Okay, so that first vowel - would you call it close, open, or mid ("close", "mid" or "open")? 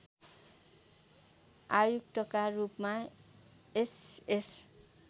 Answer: open